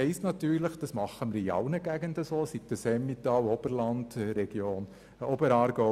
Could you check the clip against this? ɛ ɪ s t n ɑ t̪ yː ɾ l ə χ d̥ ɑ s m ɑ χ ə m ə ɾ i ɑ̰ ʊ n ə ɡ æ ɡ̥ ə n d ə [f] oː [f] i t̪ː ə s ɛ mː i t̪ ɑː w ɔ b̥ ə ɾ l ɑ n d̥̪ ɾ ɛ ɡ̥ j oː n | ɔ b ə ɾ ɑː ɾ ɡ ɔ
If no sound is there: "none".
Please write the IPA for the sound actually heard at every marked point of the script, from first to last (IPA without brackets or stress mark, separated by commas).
s, s